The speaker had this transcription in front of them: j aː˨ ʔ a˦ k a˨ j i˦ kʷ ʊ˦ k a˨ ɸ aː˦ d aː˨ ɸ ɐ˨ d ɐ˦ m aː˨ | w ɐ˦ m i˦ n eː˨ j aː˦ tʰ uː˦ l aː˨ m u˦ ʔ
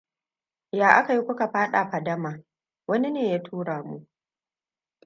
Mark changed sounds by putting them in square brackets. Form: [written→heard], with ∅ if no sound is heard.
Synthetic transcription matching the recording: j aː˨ ʔ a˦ k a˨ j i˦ kʷ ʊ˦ k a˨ ɸ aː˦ [d→ɗ] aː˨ ɸ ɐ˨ d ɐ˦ m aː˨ | w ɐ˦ [m→n] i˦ n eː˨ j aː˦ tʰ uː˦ [l→ɽ] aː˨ m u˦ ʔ